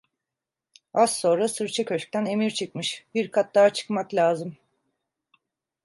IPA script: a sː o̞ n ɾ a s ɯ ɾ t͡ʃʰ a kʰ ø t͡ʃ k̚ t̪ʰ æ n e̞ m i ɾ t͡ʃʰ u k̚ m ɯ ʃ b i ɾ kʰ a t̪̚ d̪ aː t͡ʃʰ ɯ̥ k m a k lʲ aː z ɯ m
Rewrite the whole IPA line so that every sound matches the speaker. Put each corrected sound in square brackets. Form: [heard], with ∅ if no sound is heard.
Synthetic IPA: a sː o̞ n ɾ a s ɯ ɾ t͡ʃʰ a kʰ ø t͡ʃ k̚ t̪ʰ æ n e̞ m i ɾ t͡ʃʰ [ɯ] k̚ m ɯ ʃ b i ɾ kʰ a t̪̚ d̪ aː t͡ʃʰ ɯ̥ k m a k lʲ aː z ɯ m